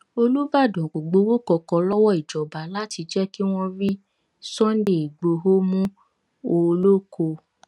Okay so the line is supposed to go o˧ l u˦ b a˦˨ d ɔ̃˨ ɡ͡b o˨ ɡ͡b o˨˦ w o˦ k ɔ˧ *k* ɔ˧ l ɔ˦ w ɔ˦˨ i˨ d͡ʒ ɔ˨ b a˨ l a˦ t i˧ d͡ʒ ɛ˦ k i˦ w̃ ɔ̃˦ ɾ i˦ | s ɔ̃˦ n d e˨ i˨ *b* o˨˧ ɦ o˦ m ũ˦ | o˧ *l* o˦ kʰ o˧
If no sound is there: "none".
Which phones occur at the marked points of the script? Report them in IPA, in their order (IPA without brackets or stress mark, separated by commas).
k, ɡ͡b, l